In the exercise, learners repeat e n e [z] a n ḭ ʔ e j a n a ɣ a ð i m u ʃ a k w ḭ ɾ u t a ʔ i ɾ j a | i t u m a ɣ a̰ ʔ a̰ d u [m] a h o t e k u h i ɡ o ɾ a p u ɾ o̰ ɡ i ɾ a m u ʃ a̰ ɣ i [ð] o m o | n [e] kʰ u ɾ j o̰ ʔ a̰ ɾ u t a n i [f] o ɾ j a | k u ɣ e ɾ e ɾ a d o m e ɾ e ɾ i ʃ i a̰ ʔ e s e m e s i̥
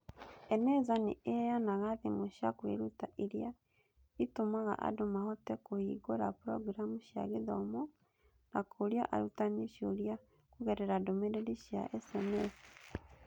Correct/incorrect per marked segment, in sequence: correct, correct, correct, incorrect: a, incorrect: ʃ

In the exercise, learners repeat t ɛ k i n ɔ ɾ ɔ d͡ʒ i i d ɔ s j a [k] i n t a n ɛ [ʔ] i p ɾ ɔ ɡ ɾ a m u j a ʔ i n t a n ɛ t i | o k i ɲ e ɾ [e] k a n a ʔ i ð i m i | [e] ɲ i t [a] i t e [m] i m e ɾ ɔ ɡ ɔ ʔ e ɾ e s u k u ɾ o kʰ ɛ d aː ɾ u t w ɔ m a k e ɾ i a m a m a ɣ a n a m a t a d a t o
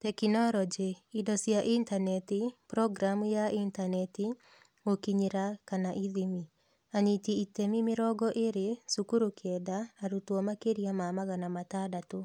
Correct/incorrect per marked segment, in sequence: incorrect: ʔ, incorrect: t, incorrect: a, incorrect: a, incorrect: i, correct

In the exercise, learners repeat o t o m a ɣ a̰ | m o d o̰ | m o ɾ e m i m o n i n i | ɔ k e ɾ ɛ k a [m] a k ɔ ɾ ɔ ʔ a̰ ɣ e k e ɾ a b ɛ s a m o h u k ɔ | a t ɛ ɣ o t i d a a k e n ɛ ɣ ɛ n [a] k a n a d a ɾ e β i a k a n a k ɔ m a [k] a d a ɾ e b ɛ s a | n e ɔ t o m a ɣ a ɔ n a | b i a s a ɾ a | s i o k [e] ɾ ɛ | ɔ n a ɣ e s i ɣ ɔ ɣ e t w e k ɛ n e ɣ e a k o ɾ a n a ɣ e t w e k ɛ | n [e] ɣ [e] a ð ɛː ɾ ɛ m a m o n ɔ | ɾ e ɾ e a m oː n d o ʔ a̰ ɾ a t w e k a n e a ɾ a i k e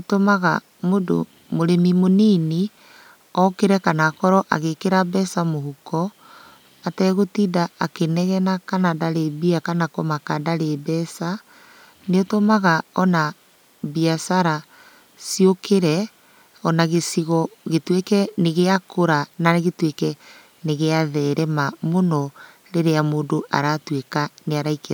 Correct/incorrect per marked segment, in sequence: incorrect: n, correct, correct, correct, correct, correct

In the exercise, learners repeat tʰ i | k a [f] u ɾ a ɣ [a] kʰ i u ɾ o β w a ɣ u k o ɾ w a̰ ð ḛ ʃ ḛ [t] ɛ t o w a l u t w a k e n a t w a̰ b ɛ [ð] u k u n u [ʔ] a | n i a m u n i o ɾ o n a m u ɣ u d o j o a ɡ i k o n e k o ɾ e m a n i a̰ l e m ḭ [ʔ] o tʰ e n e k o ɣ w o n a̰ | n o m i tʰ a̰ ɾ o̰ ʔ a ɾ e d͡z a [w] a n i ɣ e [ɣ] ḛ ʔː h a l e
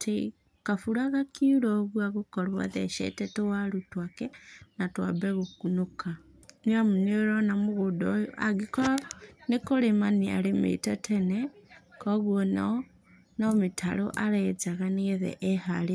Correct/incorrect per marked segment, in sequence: correct, correct, correct, incorrect: ɣ, incorrect: k, incorrect: t, incorrect: ɣ, incorrect: ð

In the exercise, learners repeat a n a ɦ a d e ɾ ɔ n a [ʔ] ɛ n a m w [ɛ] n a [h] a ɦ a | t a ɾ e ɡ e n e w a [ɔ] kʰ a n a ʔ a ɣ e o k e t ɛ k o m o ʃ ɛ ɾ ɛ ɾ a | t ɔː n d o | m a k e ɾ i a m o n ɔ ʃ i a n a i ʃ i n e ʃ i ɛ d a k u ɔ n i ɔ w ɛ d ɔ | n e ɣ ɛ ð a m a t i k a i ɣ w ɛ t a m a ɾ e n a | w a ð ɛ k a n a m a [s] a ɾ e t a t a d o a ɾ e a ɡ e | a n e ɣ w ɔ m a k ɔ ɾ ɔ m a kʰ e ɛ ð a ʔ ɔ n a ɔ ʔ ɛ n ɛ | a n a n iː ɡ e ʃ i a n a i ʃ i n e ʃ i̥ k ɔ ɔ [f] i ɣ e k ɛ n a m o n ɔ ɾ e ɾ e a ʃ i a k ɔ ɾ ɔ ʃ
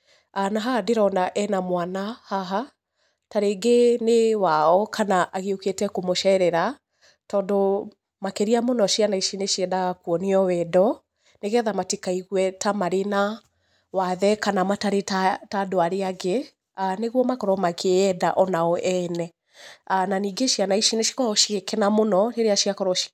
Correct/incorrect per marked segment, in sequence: correct, incorrect: a, correct, correct, incorrect: t, incorrect: ʃ

